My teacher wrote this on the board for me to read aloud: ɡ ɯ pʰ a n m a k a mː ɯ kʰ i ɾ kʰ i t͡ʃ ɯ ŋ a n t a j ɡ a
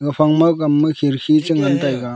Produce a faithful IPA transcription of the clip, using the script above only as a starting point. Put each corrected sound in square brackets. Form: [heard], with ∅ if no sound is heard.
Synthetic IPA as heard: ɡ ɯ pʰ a [ŋ] m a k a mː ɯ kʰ i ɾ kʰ i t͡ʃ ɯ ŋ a n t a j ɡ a